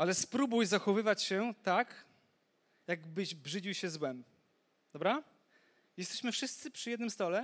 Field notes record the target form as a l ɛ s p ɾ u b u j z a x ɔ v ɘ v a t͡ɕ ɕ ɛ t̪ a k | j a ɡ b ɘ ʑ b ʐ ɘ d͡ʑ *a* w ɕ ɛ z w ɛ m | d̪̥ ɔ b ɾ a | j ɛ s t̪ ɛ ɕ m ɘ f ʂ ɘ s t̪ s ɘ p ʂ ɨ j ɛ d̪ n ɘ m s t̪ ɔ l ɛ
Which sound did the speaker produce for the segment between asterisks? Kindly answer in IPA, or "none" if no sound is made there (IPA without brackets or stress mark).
i